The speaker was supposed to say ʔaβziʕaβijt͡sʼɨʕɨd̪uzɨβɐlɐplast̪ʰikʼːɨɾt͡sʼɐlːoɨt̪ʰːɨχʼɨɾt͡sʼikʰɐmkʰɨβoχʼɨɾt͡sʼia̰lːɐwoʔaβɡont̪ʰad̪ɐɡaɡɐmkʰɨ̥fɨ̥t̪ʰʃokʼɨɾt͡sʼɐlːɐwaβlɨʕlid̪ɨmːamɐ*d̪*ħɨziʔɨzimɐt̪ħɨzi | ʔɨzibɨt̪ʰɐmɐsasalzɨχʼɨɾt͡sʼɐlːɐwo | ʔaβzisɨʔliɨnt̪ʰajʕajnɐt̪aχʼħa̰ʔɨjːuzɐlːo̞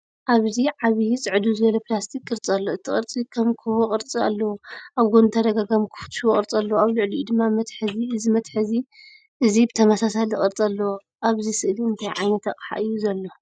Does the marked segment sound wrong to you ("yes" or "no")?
yes